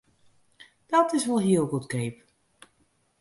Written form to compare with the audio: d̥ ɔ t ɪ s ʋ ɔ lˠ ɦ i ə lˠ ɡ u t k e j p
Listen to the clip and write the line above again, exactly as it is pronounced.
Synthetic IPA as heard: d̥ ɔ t ɪ s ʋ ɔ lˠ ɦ i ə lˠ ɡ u t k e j p